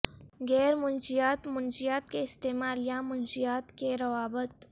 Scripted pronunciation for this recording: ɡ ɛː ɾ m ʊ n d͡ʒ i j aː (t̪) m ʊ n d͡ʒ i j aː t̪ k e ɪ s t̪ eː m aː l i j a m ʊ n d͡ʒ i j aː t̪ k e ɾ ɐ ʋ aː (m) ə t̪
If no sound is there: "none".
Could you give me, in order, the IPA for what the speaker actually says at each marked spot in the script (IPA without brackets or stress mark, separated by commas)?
t̪, b